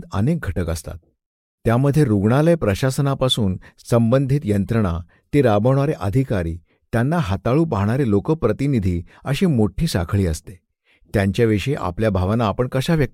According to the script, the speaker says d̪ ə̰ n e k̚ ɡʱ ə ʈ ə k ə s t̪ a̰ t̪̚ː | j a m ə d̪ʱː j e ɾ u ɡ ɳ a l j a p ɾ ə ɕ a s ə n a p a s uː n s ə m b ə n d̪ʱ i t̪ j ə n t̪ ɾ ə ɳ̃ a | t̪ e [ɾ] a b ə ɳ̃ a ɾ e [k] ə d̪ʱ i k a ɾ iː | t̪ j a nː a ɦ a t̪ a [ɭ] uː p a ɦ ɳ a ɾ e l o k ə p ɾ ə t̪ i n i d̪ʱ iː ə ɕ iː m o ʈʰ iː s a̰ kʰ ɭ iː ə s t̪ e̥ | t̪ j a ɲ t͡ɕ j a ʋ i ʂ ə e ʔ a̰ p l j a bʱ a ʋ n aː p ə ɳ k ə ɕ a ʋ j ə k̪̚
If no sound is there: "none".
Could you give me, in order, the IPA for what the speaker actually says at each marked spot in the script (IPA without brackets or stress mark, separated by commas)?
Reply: ɾ, ʔ, ɭ